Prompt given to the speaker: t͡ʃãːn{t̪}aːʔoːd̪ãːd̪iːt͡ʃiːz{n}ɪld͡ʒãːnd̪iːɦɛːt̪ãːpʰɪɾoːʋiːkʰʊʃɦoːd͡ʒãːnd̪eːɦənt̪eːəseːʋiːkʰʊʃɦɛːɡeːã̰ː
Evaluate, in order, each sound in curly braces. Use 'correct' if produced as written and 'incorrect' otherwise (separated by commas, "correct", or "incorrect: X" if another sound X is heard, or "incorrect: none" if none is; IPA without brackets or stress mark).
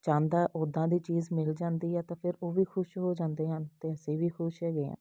incorrect: d̪, incorrect: m